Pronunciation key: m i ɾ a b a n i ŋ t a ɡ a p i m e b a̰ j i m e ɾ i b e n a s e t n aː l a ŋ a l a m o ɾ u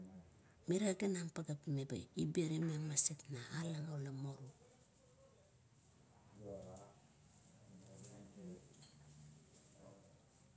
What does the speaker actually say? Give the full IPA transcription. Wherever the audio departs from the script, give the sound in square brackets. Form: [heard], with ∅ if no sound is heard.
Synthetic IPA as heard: m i ɾ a [ɡ] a n [a] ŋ [p] a ɡ a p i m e b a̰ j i [b] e ɾ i [m] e [m] a s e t n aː l a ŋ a l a m o ɾ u